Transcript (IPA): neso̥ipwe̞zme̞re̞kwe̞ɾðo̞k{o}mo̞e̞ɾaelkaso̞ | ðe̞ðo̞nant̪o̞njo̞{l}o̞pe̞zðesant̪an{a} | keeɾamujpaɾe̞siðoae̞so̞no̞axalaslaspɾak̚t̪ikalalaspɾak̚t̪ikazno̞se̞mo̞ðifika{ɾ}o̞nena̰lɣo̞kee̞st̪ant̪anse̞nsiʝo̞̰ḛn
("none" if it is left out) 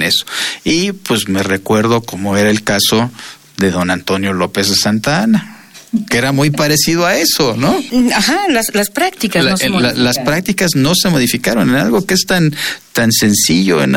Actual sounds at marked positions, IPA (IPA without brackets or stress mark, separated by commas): o, l, a, ɾ